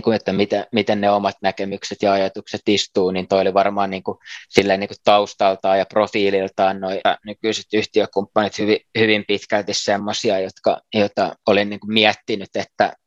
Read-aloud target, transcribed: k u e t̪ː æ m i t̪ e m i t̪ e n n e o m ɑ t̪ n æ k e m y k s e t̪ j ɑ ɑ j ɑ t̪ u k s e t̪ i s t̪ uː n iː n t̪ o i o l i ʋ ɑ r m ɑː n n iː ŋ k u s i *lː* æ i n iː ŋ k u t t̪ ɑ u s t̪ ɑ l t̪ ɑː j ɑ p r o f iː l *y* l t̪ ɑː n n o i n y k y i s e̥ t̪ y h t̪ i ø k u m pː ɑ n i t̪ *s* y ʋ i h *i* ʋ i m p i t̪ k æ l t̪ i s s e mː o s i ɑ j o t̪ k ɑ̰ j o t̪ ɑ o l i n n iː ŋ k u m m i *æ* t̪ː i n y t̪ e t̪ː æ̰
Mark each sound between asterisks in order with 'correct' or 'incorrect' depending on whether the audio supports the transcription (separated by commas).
correct, incorrect, incorrect, incorrect, correct